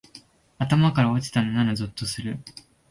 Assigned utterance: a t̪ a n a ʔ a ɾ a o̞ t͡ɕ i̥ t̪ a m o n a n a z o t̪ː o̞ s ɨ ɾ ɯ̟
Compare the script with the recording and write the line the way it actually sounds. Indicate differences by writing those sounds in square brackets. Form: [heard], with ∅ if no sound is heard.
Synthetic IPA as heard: a t̪ a [m] a [k] a ɾ a o̞ t͡ɕ i̥ t̪ a [n] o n a n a z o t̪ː o̞ s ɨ ɾ ɯ̟